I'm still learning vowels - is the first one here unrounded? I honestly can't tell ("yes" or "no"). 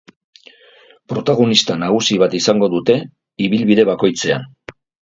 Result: no